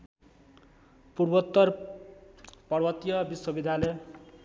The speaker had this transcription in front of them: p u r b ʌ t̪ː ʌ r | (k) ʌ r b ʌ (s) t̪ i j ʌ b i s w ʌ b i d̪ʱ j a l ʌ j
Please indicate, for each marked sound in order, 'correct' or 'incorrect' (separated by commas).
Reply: incorrect, incorrect